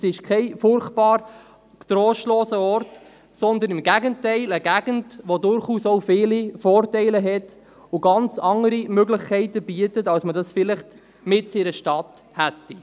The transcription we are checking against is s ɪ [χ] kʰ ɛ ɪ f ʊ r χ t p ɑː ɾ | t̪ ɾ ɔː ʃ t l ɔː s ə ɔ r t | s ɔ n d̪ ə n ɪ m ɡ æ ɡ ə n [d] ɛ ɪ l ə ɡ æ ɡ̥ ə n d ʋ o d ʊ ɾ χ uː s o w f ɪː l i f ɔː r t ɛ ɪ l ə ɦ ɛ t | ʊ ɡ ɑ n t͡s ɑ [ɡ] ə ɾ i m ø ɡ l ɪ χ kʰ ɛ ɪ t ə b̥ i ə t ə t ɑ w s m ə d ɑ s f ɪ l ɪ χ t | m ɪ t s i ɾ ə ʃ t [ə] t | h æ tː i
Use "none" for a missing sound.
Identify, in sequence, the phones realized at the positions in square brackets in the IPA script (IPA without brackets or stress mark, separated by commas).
ʃ, t, ŋ, ɑ